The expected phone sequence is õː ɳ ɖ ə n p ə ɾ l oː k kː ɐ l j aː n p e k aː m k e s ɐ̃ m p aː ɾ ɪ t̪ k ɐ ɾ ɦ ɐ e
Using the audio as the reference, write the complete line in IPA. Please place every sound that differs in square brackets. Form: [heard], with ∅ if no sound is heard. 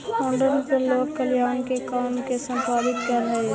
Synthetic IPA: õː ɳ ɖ ə n p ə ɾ l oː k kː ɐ l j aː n [k] e k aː m k e s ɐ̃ m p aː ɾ ɪ t̪ k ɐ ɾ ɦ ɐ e